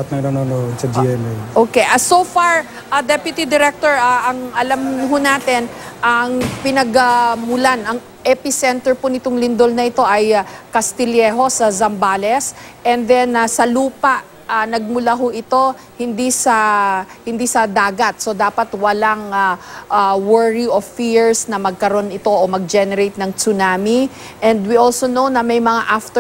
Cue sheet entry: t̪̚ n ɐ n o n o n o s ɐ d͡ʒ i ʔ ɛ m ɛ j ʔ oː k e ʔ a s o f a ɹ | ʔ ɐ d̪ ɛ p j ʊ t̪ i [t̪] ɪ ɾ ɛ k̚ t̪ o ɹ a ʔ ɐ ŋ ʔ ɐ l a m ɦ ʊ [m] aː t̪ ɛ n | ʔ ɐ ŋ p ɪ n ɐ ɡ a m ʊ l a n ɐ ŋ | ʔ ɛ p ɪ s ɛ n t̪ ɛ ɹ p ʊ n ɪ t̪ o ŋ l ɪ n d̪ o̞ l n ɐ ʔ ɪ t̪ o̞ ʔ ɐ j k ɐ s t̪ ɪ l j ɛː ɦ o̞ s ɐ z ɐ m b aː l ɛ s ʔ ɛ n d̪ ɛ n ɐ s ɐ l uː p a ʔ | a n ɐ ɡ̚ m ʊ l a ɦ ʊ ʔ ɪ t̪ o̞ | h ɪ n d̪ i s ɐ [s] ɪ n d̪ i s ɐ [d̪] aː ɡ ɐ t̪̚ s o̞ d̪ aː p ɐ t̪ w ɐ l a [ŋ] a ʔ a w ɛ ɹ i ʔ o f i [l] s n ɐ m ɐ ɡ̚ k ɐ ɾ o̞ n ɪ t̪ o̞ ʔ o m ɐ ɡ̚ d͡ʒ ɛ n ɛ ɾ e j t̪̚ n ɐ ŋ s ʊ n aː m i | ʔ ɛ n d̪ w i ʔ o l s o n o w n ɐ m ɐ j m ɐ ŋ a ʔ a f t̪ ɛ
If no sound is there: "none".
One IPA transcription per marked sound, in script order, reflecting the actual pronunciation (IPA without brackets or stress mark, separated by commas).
d̪, n, h, d̪, ŋ, ɹ